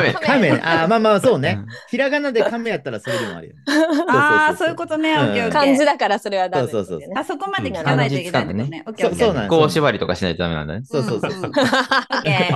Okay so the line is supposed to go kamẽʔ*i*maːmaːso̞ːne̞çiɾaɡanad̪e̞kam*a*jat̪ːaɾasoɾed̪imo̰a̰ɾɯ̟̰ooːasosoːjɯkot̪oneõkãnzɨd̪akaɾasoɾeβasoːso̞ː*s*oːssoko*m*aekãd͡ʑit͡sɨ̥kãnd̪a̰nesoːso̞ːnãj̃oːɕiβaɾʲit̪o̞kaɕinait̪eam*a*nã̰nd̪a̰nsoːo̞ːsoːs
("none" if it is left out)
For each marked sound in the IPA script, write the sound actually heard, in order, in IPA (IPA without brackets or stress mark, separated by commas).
a, e, s, m, e